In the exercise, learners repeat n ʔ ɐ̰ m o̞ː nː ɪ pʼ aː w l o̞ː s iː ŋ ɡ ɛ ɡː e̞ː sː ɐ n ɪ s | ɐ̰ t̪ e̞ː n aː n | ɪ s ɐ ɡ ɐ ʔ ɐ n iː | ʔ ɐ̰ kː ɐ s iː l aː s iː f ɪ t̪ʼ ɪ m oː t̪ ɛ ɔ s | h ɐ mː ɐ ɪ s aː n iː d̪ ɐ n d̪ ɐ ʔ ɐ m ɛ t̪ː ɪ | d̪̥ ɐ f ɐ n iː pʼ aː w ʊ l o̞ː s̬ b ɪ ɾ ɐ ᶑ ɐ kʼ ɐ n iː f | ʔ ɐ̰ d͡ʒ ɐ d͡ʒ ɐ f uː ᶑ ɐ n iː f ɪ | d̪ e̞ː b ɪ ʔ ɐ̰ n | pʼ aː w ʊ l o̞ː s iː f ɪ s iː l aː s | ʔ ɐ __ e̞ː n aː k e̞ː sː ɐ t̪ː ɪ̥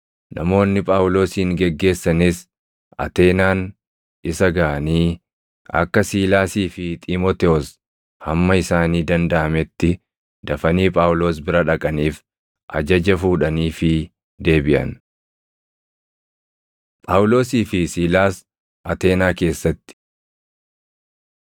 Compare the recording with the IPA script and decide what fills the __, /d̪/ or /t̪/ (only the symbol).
t̪